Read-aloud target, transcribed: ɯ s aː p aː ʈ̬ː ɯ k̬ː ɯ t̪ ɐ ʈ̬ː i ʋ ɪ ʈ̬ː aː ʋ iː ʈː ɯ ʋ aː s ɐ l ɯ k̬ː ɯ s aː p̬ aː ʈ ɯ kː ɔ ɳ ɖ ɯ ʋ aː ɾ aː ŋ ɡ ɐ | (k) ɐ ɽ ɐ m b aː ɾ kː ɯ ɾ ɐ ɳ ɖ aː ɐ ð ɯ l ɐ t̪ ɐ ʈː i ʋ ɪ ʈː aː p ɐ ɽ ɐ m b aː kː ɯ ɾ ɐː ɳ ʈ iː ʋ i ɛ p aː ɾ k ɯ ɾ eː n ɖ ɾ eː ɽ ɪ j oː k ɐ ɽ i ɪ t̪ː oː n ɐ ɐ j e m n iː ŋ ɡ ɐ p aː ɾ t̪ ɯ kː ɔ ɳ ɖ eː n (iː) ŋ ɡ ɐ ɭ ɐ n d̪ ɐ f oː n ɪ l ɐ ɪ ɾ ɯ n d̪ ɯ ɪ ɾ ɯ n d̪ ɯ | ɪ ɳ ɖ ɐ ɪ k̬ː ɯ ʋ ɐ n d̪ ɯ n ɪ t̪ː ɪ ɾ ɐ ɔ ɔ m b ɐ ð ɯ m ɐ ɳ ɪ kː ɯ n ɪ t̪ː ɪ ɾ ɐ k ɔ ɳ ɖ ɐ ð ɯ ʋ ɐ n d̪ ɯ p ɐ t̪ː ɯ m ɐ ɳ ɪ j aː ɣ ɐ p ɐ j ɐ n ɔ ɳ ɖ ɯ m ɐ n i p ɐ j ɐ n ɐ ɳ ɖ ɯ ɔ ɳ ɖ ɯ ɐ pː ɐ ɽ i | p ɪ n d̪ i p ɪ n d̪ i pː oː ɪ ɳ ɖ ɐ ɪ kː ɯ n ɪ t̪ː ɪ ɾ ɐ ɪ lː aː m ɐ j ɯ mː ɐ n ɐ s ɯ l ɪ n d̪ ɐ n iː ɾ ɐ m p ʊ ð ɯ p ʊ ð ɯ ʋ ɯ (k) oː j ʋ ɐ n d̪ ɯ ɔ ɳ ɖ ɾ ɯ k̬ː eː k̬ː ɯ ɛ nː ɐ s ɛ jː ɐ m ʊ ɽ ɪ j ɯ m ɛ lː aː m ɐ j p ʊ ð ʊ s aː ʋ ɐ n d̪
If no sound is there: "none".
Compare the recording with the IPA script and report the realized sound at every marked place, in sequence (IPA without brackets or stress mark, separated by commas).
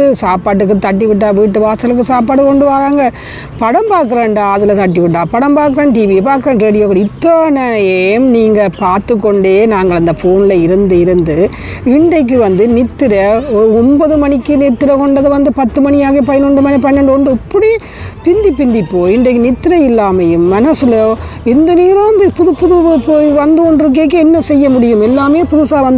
p, aː, p